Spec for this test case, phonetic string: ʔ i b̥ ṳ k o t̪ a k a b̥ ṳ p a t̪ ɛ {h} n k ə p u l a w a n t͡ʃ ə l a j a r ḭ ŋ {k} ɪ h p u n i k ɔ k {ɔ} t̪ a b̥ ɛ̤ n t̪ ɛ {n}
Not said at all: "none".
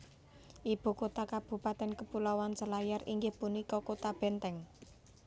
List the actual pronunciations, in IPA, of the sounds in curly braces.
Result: none, ɡ, o, ŋ

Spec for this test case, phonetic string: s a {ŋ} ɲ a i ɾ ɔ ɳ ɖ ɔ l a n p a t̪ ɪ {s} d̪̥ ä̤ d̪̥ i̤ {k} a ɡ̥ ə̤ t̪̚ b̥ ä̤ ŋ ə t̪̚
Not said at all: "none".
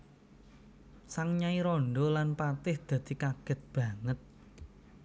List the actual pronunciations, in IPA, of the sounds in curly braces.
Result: ŋ, h, k

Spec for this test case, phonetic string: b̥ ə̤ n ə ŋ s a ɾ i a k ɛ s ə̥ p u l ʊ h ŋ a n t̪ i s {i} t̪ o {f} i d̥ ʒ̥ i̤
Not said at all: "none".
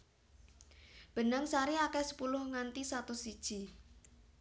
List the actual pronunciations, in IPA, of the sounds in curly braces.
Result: a, s

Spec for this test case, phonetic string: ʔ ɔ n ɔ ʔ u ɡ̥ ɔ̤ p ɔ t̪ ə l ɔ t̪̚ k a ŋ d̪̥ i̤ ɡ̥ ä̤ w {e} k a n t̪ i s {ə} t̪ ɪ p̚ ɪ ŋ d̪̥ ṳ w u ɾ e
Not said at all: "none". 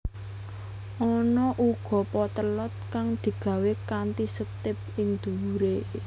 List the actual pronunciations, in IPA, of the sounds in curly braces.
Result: e, ə

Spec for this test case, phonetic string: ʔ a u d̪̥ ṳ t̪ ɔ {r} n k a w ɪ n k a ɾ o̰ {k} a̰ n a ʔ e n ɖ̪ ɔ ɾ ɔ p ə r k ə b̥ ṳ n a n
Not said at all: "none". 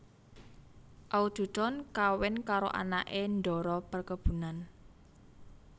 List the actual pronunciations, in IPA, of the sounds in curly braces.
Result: none, ʔ

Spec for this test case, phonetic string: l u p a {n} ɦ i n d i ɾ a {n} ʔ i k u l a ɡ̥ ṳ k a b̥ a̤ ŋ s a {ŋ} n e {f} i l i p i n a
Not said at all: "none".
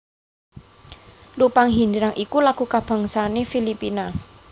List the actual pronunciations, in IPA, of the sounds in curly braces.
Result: ŋ, ŋ, none, f

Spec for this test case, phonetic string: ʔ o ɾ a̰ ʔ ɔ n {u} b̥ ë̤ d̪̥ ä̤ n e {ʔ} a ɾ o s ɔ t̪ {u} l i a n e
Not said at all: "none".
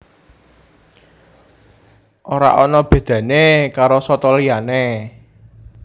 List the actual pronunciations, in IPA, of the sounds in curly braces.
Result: ɔ, k, ɔ

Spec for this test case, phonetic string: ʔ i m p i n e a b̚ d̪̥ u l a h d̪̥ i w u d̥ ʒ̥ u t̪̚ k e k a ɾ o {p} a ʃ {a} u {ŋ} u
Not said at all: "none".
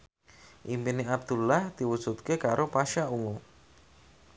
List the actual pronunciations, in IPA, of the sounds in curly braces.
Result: p, a, ŋ

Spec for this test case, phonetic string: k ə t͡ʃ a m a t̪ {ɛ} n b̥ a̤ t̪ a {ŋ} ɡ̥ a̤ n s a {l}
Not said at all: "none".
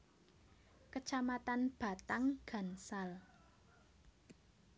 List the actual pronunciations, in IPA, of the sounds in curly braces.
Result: a, ŋ, l

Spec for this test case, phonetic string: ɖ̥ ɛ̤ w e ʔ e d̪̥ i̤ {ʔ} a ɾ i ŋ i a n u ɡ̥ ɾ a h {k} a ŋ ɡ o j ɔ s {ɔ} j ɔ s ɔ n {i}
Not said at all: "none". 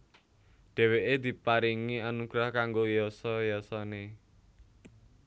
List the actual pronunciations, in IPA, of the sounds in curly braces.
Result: p, k, ɔ, e

